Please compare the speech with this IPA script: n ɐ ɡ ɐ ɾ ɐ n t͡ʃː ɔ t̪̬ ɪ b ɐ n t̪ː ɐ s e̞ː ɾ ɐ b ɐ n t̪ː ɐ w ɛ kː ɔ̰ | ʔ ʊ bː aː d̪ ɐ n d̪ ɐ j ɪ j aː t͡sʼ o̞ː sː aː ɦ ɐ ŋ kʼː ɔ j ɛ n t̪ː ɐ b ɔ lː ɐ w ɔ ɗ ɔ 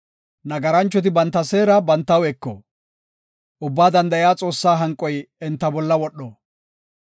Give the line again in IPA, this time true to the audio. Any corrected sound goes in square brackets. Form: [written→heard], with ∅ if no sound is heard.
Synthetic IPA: n ɐ ɡ ɐ ɾ ɐ n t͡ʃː ɔ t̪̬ ɪ b ɐ n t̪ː ɐ s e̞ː ɾ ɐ b ɐ n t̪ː ɐ w ɛ kː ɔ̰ | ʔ ʊ bː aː d̪ ɐ n d̪ ɐ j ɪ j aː t͡sʼ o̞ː sː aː ɦ ɐ ŋ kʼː ɔ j ɛ n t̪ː ɐ b ɔ lː ɐ w ɔ ɗ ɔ

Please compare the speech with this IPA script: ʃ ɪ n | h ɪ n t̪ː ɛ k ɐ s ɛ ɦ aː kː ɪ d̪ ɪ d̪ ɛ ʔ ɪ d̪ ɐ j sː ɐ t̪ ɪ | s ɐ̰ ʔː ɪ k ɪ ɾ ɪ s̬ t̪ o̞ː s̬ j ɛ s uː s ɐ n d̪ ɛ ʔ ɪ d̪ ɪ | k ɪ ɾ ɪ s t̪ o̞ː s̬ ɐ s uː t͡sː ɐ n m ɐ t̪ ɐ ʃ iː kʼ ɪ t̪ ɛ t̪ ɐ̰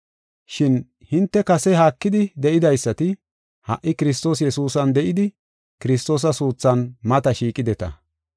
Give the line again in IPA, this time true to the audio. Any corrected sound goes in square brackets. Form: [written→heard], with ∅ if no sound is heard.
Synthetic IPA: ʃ ɪ n | h ɪ n t̪ː ɛ k ɐ s ɛ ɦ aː kː ɪ d̪ ɪ d̪ ɛ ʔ ɪ d̪ ɐ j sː ɐ t̪ ɪ | [s→h] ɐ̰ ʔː ɪ k ɪ ɾ ɪ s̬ t̪ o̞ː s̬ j ɛ s uː s ɐ n d̪ ɛ ʔ ɪ d̪ ɪ | k ɪ ɾ ɪ s t̪ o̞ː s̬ ɐ s uː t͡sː ɐ n m ɐ t̪ ɐ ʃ iː kʼ ɪ [t̪→d̪] ɛ t̪ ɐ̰

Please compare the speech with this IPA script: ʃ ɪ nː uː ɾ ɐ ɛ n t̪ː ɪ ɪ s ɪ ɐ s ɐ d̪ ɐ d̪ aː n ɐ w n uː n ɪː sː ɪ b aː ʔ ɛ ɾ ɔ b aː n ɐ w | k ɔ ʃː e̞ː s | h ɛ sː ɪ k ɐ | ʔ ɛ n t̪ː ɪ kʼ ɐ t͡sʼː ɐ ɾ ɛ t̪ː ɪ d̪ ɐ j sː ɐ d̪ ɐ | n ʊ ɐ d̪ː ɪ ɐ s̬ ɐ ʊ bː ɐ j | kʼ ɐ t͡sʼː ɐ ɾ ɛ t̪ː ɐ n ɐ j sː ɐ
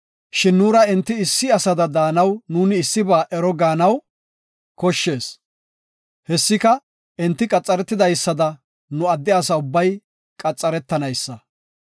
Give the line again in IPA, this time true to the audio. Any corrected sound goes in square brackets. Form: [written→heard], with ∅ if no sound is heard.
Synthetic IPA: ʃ ɪ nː uː ɾ ɐ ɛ n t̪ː ɪ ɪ [s→sː] ɪ ɐ s ɐ d̪ ɐ d̪ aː n ɐ w n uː n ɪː sː ɪ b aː ʔ ɛ ɾ ɔ [b→ɡ] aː n ɐ w | k ɔ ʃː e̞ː s | h ɛ sː ɪ k ɐ | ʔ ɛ n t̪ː ɪ kʼ ɐ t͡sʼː ɐ ɾ ɛ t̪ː ɪ d̪ ɐ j sː ɐ d̪ ɐ | n ʊ ɐ d̪ː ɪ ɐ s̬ ɐ ʊ bː ɐ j | kʼ ɐ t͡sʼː ɐ ɾ ɛ t̪ː ɐ n ɐ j sː ɐ

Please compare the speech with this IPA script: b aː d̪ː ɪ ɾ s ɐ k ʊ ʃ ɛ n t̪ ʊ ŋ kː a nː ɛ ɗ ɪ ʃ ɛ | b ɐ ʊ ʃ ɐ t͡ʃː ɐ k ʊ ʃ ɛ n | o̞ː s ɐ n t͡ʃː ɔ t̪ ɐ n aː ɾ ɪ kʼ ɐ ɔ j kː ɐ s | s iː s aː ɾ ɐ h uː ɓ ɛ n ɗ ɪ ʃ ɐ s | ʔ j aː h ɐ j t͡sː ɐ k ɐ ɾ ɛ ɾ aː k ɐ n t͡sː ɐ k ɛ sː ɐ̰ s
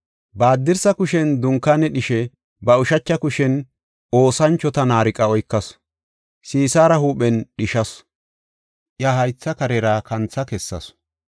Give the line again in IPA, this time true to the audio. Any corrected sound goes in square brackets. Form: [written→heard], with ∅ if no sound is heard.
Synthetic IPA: b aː d̪ː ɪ ɾ s ɐ k ʊ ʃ ɛ n [t̪→d̪] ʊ ŋ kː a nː ɛ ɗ ɪ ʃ ɛ | b ɐ ʊ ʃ ɐ t͡ʃː ɐ k ʊ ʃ ɛ n | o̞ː s ɐ n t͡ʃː ɔ t̪ ɐ n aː ɾ ɪ kʼ ɐ ɔ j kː ɐ s | s iː s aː ɾ ɐ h uː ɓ ɛ n ɗ ɪ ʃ ɐ s | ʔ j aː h ɐ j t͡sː ɐ k ɐ ɾ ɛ ɾ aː k ɐ n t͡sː ɐ k ɛ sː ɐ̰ s

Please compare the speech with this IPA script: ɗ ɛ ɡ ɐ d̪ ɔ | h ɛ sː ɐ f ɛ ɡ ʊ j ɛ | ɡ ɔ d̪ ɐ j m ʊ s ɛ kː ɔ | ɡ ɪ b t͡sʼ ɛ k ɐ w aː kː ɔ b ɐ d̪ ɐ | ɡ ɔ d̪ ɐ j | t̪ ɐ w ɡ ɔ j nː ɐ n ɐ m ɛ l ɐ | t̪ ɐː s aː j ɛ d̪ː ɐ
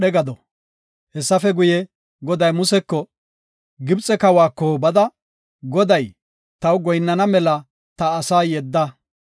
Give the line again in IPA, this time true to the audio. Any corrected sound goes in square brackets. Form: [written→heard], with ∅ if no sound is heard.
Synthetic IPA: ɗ ɛ ɡ ɐ d̪ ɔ | h ɛ sː ɐ f ɛ ɡ ʊ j ɛ | ɡ ɔ d̪ ɐ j m ʊ s ɛ kː ɔ | ɡ ɪ b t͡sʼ ɛ k ɐ w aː kː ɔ b ɐ d̪ ɐ | ɡ ɔ d̪ ɐ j | t̪ ɐ w ɡ ɔ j nː ɐ n ɐ m ɛ l ɐ | t̪ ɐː s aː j ɛ d̪ː ɐ

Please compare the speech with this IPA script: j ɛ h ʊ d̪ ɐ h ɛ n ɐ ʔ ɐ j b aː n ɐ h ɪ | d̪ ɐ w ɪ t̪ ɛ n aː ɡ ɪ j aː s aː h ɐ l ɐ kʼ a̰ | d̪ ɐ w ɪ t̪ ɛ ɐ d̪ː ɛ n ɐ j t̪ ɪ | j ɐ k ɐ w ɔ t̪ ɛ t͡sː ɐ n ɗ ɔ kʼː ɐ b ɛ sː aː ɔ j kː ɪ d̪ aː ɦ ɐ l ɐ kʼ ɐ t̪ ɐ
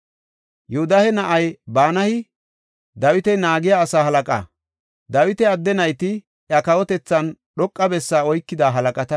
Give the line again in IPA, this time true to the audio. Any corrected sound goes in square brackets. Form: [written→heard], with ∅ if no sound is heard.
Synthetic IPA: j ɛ h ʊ d̪ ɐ h ɛ n ɐ ʔ ɐ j b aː n ɐ h ɪ | d̪ ɐ w ɪ t̪ ɛ n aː ɡ ɪ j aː s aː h ɐ l ɐ kʼ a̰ | d̪ ɐ w ɪ t̪ ɛ ɐ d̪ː ɛ n ɐ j t̪ ɪ | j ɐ k ɐ w ɔ t̪ ɛ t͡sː ɐ n ɗ ɔ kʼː ɐ b ɛ sː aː ɔ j kː ɪ d̪ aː ɦ ɐ l ɐ kʼ ɐ t̪ ɐ

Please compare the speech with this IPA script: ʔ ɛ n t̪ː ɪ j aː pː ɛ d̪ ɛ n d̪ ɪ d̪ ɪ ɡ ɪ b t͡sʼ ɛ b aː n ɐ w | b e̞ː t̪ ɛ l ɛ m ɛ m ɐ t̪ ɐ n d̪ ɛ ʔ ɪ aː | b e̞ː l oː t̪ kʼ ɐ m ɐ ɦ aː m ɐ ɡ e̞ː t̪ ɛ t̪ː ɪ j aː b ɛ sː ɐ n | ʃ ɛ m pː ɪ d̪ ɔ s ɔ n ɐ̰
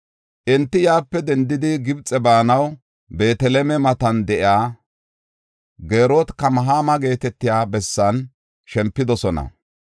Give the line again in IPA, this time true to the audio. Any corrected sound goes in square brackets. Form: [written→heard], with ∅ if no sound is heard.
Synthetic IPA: ʔ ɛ n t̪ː ɪ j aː pː ɛ d̪ ɛ n d̪ ɪ d̪ ɪ ɡ ɪ b t͡sʼ ɛ b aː n ɐ w | b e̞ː t̪ ɛ l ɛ m ɛ m ɐ t̪ ɐ n d̪ ɛ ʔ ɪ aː | [b→ɡ] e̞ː [l→ɾ] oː t̪ [kʼ→k] ɐ m ɐ ɦ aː m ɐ ɡ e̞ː t̪ ɛ t̪ː ɪ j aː b ɛ sː ɐ n | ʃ ɛ m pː ɪ d̪ ɔ s ɔ n ɐ̰

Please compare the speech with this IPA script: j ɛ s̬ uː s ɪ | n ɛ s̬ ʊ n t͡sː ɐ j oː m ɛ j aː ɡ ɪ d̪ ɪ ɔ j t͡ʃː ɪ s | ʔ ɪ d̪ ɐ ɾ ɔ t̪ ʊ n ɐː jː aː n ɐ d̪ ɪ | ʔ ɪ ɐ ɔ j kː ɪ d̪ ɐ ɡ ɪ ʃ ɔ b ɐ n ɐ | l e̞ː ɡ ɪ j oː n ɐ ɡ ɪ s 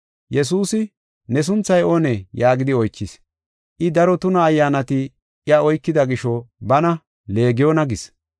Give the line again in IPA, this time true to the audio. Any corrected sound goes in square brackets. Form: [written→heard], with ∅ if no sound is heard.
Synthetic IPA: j ɛ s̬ uː s ɪ | n ɛ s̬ ʊ n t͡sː ɐ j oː [m→n] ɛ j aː ɡ ɪ d̪ ɪ ɔ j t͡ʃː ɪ s | ʔ ɪ d̪ ɐ ɾ ɔ t̪ ʊ n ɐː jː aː n ɐ [d̪→t̪] ɪ | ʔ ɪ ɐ ɔ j kː ɪ d̪ ɐ ɡ ɪ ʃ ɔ b ɐ n ɐ | l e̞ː ɡ ɪ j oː n ɐ ɡ ɪ s

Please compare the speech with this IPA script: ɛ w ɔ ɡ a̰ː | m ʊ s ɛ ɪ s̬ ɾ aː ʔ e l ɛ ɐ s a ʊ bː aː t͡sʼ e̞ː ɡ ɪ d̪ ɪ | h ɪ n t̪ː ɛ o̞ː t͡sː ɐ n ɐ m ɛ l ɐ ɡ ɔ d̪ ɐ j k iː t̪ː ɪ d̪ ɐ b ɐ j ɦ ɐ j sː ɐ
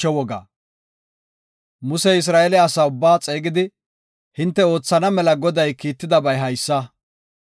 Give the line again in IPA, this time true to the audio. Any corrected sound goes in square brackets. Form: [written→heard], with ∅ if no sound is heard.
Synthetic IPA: ɛ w ɔ ɡ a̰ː | m ʊ s ɛ ɪ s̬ ɾ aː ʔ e l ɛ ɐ s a ʊ bː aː t͡sʼ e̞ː ɡ ɪ d̪ ɪ | h ɪ n t̪ː ɛ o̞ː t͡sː ɐ n ɐ m ɛ l ɐ ɡ ɔ d̪ ɐ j k iː t̪ː ɪ d̪ ɐ b ɐ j ɦ ɐ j sː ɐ

